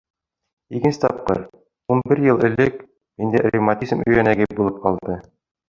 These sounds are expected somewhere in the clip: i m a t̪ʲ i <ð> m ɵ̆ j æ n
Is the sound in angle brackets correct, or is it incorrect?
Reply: incorrect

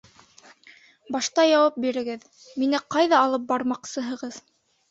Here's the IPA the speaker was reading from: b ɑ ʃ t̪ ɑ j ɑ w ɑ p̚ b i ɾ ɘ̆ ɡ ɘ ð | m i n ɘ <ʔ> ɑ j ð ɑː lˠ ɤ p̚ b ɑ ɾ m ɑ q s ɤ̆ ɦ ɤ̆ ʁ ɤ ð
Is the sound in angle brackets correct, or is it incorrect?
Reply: incorrect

